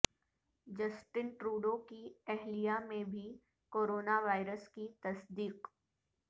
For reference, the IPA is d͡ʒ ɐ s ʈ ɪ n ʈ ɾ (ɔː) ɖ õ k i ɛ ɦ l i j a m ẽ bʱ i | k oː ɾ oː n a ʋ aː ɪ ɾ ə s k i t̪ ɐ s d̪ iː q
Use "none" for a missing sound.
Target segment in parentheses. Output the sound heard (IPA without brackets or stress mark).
uː